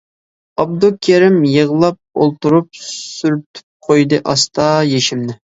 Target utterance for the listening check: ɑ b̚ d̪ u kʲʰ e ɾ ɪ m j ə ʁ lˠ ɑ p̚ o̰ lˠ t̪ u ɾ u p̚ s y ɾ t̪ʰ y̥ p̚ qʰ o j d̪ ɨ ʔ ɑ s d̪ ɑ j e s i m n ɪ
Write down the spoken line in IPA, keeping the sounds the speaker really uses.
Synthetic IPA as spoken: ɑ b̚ d̪ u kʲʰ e ɾ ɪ m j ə ʁ lˠ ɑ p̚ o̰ lˠ t̪ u ɾ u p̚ s y ɾ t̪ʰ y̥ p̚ qʰ o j d̪ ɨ ʔ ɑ s t̪ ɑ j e ʃ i m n ɪ